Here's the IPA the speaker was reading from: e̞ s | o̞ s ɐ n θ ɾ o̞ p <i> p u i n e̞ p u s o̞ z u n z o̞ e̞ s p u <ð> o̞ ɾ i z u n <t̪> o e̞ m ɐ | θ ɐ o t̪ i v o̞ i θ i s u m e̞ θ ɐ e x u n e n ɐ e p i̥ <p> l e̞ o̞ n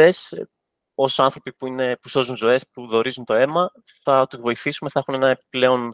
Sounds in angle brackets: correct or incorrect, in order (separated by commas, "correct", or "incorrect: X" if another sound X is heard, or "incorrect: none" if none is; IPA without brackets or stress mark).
correct, correct, correct, correct